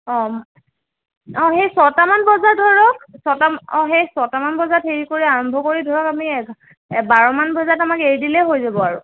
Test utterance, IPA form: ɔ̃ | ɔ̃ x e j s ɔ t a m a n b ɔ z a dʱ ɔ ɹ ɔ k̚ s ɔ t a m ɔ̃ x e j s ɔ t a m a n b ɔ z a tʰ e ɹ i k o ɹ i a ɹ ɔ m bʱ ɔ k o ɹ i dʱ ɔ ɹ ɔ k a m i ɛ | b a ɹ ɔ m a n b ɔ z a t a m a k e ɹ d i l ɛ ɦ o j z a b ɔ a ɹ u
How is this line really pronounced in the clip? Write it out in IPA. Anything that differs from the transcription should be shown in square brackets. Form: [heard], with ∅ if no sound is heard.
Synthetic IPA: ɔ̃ | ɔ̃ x e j s ɔ t a m a n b ɔ z a dʱ ɔ ɹ ɔ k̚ s ɔ t a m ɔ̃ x e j s ɔ t a m a n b ɔ z a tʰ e ɹ i k o ɹ i a ɹ ɔ m bʱ ɔ k o ɹ i dʱ ɔ ɹ ɔ k a m i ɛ | b a ɹ ɔ m a n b ɔ z a t a m a k e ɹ d i l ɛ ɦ o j z a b ɔ a ɹ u